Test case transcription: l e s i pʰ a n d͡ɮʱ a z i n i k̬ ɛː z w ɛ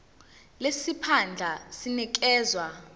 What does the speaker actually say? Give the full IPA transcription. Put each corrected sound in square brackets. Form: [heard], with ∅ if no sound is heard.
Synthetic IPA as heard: l e s i pʰ a n d͡ɮʱ a [s] i n i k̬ ɛː z w [a]